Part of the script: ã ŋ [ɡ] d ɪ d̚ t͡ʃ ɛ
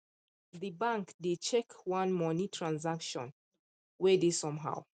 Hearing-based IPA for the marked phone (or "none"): k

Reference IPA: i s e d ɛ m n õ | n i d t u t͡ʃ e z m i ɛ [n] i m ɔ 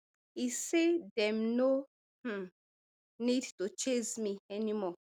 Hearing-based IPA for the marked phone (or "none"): n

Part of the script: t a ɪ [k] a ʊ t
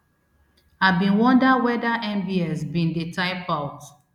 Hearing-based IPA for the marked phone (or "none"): p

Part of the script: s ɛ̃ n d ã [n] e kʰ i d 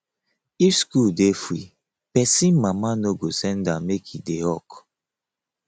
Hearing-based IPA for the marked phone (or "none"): m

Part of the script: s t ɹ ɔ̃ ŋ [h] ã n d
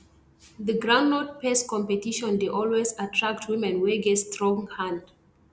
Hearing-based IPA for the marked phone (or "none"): h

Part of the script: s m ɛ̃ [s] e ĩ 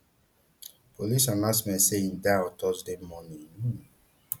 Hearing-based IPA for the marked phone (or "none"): s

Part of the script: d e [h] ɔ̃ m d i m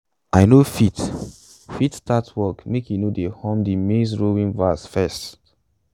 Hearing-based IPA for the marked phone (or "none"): h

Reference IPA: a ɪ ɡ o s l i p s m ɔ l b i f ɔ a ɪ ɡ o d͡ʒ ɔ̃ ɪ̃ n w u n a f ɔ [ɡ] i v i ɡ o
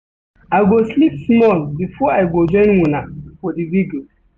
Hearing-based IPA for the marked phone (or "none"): d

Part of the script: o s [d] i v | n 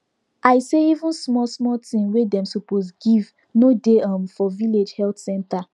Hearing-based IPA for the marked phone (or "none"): ɡ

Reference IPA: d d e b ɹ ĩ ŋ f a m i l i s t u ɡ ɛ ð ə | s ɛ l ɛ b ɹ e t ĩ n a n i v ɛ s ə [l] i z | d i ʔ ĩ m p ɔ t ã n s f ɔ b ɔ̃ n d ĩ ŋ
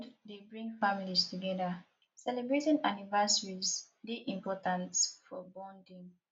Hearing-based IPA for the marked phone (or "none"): ɹ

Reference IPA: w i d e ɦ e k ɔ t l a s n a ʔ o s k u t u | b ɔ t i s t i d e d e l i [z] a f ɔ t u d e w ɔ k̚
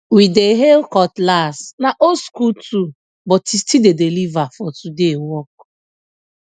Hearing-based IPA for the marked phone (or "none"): v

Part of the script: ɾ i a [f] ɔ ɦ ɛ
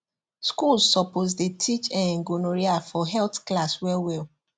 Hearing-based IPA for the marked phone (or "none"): f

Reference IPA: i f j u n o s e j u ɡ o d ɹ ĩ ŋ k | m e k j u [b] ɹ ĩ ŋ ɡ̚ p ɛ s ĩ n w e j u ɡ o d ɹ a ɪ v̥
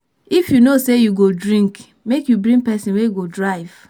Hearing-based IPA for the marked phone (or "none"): b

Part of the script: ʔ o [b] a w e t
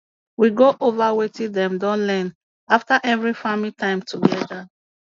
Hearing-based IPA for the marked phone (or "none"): v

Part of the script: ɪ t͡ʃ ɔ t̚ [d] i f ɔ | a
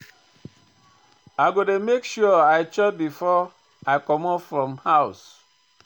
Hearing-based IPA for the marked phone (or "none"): b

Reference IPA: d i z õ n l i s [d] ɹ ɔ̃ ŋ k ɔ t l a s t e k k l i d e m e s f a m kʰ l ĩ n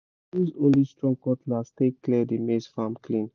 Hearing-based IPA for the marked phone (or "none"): t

